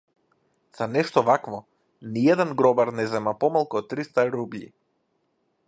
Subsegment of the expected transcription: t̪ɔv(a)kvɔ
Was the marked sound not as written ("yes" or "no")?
no